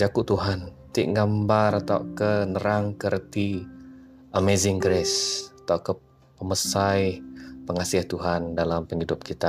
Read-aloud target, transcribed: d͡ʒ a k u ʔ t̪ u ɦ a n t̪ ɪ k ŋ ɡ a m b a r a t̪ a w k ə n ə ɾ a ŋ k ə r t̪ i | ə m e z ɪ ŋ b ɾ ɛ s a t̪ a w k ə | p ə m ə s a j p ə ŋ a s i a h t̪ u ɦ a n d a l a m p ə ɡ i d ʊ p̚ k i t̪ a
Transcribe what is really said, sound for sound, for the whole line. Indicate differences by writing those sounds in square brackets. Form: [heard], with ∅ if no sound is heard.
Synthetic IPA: d͡ʒ a k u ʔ t̪ u ɦ a n t̪ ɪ [ʔ] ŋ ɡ a m b a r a t̪ a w k ə n ə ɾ a ŋ k ə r t̪ i | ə m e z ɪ ŋ [ɡ] ɾ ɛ s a t̪ a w k ə | p ə m ə s a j p ə ŋ a s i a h t̪ u ɦ a n d a l a m p ə [ŋ] i d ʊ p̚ k i t̪ a